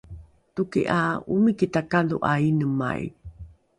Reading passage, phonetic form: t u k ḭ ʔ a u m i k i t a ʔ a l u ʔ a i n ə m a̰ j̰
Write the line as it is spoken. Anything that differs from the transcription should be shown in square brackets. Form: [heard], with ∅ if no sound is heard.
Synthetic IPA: t u k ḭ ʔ a u m i k i t a [k] a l u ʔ a i n ə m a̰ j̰